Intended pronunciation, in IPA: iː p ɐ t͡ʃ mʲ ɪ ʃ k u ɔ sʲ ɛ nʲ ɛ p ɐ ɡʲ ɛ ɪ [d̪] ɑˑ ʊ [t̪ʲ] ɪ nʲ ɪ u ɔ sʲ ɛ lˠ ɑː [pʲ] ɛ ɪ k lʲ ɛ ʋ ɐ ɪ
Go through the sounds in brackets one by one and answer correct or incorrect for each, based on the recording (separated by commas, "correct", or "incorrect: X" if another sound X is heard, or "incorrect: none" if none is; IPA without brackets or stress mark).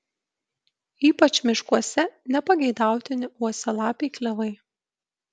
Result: correct, correct, correct